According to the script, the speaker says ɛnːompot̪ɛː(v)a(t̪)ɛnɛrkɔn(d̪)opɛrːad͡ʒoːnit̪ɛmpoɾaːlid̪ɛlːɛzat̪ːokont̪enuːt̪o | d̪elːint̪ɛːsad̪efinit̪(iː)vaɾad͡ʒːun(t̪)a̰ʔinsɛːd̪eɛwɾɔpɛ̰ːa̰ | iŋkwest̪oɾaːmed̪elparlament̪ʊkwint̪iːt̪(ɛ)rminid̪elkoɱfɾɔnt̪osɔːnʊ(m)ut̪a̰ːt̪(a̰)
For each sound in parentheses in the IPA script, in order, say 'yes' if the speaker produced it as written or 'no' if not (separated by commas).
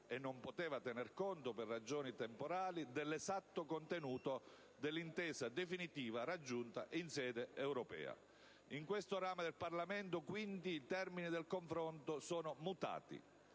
yes, yes, no, yes, yes, yes, yes, no